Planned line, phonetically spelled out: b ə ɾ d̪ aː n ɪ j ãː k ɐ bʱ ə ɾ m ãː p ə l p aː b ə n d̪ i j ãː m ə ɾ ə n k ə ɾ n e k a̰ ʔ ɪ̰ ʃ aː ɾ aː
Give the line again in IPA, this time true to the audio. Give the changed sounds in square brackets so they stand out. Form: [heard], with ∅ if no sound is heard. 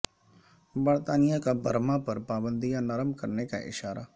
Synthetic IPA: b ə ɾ [t̪] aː n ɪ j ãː k [a] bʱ ə ɾ m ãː p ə [ɾ] p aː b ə n d̪ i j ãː [n] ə ɾ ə [m] k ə ɾ n e k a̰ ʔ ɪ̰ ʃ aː ɾ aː